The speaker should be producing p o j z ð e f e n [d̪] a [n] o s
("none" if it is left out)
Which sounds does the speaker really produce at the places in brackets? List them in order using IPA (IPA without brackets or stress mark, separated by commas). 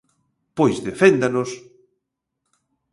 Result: d̪, n